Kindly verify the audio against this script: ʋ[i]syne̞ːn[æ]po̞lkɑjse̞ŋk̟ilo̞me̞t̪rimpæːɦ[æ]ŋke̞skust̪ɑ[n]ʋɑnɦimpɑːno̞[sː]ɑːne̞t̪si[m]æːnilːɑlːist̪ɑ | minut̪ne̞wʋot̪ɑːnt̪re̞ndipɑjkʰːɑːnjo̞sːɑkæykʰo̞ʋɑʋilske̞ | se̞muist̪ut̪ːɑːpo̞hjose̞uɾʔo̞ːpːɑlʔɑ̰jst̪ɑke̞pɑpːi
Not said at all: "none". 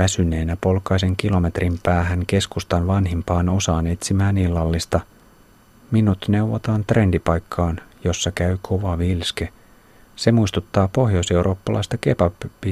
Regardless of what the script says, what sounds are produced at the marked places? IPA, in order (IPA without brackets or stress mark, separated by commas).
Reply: æ, æ, æ, n, s, m